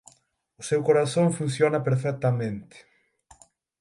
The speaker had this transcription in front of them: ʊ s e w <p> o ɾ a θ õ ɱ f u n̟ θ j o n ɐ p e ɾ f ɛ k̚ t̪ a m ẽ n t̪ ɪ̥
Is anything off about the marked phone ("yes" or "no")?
yes